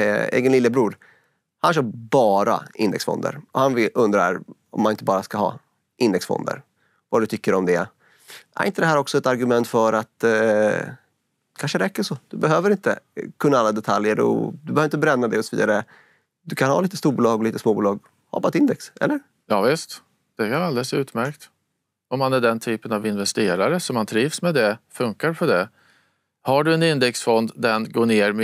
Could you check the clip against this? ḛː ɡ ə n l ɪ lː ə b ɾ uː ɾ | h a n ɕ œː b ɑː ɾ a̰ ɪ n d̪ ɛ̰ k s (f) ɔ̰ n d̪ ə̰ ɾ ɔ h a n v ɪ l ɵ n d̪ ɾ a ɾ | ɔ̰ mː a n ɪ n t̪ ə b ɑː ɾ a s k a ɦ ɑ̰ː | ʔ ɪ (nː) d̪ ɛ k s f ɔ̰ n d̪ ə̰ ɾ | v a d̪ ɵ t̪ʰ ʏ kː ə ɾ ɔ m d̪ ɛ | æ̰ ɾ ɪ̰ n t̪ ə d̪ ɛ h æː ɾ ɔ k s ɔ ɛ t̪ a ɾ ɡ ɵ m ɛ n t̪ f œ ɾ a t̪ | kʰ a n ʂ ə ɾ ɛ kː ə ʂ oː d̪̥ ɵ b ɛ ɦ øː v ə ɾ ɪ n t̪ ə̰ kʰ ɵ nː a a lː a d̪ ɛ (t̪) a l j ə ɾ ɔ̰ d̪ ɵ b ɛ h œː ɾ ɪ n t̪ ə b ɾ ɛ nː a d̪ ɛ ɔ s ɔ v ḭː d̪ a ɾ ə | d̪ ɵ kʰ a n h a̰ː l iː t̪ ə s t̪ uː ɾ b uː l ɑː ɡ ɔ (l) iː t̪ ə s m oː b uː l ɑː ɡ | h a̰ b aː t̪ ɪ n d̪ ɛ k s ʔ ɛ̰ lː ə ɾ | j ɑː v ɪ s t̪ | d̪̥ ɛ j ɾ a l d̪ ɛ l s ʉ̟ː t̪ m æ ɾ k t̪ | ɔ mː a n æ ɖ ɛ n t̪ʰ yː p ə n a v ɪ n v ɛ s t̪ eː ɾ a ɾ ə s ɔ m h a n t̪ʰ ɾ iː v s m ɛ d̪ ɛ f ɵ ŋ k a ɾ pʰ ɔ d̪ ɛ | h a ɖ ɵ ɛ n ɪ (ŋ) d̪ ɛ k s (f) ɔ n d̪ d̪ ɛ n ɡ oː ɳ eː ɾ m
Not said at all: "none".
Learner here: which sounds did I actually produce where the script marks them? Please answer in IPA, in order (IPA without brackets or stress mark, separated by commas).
f, n, t̪ʰ, l, n, f